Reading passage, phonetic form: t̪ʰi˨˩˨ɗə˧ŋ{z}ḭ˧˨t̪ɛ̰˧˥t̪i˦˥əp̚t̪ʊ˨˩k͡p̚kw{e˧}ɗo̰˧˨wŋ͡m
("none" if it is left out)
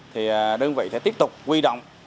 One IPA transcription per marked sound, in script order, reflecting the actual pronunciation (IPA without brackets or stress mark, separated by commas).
v, i˧